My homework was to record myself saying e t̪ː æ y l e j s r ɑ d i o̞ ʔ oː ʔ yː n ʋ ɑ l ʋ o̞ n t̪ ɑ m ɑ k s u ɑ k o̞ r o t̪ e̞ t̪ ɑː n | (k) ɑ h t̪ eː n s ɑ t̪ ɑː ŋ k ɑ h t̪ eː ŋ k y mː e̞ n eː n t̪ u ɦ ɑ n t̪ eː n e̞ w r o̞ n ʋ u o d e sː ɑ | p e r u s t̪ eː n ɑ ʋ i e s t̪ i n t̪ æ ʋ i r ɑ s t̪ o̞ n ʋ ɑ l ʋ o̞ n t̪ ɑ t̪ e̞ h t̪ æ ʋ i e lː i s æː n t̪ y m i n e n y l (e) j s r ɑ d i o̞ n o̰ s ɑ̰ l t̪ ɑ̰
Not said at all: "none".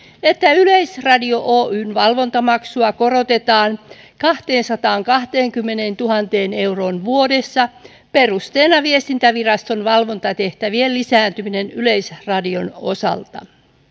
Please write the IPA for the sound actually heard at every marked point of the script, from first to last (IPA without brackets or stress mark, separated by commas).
k, e